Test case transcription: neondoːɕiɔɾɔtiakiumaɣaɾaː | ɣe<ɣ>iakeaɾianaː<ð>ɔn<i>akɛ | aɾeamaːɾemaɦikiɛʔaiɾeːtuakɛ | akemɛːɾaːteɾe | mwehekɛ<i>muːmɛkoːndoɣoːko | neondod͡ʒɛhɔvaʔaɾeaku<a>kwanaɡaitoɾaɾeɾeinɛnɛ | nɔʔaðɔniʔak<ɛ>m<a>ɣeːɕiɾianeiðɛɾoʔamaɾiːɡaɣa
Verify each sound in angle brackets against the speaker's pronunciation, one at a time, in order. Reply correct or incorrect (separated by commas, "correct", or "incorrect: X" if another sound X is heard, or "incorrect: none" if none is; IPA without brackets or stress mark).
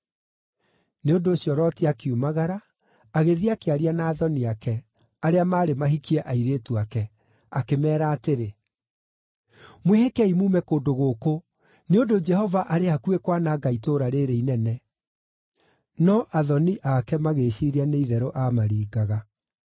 incorrect: ð, correct, correct, correct, incorrect: e, correct, correct